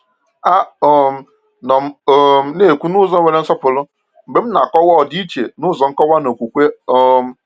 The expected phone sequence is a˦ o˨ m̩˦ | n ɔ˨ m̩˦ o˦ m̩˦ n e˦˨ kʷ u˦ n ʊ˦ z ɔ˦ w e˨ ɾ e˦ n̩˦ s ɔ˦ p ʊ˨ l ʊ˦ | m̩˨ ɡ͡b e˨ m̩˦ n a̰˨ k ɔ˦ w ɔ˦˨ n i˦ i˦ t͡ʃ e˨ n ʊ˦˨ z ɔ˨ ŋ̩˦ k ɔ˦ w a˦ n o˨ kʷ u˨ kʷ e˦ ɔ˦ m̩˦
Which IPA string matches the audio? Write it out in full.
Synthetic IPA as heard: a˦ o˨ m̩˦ | n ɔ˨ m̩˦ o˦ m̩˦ n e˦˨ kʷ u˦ n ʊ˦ z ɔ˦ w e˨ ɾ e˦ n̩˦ s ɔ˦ p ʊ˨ l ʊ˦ | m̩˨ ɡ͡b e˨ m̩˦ n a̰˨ k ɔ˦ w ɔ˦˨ d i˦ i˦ t͡ʃ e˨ n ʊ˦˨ z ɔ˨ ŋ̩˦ k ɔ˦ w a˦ n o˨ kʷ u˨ kʷ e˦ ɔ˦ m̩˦